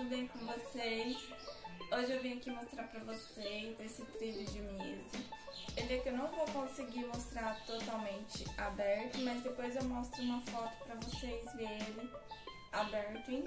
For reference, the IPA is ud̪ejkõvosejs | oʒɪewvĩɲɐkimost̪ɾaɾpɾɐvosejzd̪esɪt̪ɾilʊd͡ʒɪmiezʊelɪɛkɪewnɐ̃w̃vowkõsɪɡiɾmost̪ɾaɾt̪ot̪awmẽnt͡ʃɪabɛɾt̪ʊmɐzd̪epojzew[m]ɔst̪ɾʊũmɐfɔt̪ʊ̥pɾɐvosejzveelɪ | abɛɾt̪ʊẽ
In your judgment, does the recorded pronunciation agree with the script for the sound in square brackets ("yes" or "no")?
yes